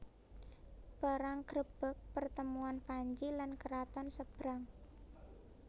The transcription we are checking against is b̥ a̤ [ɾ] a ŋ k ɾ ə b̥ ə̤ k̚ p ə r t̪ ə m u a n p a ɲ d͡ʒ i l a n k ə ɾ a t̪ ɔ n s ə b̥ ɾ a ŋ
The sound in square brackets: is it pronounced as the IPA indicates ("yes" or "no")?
yes